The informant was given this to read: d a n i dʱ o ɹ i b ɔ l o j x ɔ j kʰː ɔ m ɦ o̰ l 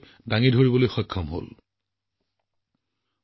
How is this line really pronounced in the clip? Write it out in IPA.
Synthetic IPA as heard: d a ŋ i dʱ o ɹ i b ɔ l o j x ɔ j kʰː ɔ m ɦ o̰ l